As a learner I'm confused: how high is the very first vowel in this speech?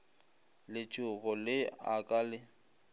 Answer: high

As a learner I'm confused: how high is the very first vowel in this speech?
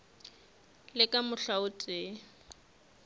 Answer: high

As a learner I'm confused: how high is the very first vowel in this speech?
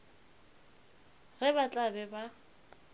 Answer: mid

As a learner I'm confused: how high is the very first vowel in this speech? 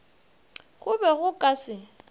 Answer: high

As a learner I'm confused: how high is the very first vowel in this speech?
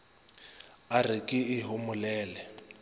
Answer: low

